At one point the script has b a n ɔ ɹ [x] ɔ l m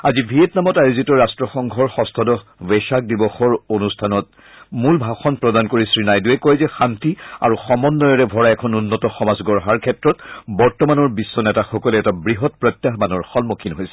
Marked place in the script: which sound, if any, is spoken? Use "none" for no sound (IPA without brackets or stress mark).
x